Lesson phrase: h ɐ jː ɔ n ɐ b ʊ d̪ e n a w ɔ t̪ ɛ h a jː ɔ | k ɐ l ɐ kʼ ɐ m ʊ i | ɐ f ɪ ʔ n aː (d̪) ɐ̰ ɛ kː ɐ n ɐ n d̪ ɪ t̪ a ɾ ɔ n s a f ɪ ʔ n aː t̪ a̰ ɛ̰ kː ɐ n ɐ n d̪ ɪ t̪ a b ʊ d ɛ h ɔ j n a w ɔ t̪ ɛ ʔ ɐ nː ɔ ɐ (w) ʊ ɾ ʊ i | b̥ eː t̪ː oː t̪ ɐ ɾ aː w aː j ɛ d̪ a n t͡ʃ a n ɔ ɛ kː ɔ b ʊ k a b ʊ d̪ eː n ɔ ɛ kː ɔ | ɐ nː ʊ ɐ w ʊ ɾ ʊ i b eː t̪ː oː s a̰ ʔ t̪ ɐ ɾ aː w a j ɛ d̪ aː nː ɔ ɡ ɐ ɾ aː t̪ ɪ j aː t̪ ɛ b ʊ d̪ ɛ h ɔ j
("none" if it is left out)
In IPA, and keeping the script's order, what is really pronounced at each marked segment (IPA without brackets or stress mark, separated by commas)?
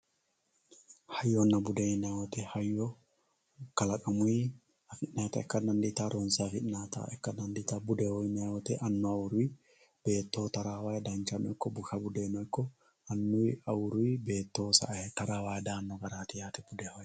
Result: t̪, w